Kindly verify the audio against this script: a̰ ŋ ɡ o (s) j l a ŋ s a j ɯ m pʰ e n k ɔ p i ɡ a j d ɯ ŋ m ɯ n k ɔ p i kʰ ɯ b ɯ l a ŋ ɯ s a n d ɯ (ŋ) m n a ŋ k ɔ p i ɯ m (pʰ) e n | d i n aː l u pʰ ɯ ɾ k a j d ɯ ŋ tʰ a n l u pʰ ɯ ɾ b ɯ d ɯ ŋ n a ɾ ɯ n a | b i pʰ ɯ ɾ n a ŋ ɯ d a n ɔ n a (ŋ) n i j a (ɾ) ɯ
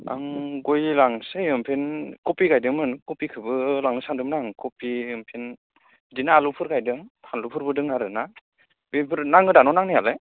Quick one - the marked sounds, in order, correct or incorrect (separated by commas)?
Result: incorrect, incorrect, correct, correct, incorrect